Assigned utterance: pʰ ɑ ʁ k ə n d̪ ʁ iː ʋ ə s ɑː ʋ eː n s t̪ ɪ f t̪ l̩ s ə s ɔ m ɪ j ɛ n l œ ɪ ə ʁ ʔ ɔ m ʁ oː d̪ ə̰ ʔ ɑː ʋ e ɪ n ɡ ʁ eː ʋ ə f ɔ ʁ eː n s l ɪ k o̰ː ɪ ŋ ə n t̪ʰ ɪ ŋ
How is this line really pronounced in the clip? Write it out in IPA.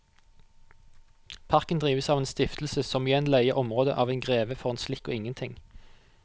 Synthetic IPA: pʰ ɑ ʁ k ə n d̪ ʁ iː ʋ ə s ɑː ʋ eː n s t̪ ɪ f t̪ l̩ s ə s ɔ m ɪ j ɛ n l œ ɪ ə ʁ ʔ ɔ m ʁ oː d̪ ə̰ ʔ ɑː ʋ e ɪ n ɡ ʁ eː ʋ ə f ɔ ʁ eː n s l ɪ k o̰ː ɪ ŋ ə n t̪ʰ ɪ ŋ